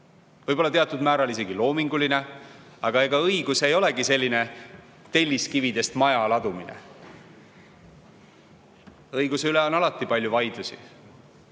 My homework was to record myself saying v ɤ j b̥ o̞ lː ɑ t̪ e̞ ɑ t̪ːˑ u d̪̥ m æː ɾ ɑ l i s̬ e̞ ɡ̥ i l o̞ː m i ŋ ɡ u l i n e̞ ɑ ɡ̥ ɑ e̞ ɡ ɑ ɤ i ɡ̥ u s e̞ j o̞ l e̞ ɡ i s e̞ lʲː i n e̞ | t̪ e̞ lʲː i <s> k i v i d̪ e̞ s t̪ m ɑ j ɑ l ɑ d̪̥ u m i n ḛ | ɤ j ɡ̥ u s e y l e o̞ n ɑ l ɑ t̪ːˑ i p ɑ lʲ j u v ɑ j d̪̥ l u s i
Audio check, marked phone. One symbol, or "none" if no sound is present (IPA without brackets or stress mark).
s